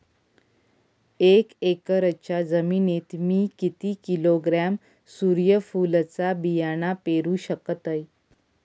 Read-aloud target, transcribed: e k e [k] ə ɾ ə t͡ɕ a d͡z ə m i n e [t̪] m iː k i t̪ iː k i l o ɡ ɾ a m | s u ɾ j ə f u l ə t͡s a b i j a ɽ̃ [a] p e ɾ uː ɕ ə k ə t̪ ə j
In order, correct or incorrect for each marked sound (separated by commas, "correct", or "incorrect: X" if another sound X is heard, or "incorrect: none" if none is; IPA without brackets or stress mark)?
correct, correct, correct